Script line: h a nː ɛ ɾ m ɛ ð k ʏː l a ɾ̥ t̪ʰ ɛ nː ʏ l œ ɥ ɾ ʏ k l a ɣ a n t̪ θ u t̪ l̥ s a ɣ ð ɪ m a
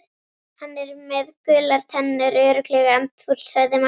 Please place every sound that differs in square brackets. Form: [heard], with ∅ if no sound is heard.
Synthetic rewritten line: h a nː ɛ ɾ m ɛ ð k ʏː l a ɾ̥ t̪ʰ ɛ nː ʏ [ɾ] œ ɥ ɾ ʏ k l [ɛ] ɣ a n t̪ [f] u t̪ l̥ s a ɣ ð ɪ m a